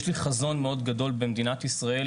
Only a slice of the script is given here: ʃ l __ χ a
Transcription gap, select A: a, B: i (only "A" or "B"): B